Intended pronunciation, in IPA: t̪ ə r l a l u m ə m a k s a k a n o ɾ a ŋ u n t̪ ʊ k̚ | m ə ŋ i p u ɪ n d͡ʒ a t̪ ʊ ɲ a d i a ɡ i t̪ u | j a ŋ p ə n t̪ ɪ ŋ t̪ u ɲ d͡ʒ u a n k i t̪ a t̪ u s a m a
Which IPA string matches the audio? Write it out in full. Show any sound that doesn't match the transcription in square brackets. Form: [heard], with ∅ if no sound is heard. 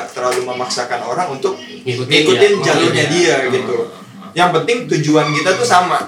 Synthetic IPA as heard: t̪ ə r l a l u m ə m a k s a k a n o ɾ a ŋ u n t̪ ʊ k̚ | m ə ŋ i [k] u ɪ n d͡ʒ a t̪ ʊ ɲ a d i a ɡ i t̪ u | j a ŋ p ə n t̪ ɪ ŋ t̪ u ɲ d͡ʒ u a n k i t̪ a t̪ u s a m a